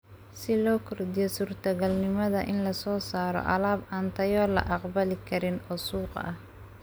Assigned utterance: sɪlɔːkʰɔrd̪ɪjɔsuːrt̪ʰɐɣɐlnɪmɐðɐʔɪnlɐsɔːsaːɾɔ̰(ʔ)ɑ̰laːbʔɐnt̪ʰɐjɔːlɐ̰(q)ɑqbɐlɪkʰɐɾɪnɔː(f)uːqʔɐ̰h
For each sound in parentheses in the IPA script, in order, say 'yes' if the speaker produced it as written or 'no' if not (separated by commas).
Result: yes, no, no